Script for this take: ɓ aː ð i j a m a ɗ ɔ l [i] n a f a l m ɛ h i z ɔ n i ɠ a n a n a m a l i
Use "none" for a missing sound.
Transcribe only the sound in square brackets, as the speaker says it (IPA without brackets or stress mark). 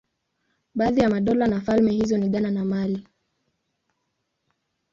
a